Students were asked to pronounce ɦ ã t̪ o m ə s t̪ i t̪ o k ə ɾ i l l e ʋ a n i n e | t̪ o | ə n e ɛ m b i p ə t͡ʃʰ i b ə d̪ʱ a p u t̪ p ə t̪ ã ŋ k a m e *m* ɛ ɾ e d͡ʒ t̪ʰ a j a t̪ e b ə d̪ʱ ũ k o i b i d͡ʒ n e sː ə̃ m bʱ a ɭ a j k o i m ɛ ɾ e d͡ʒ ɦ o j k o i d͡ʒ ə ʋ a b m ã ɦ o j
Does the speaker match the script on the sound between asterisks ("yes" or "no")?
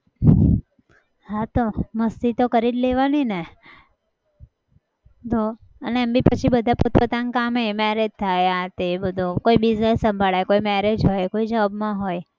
yes